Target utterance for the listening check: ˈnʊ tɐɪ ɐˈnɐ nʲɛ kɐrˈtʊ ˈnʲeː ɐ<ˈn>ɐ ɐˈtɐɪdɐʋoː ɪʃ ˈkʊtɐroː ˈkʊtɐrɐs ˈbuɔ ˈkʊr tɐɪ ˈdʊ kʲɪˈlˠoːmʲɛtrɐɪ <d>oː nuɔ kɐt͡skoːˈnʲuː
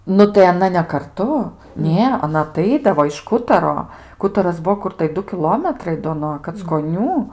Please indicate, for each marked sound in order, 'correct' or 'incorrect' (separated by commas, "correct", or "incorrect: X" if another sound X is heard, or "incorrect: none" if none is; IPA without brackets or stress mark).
correct, correct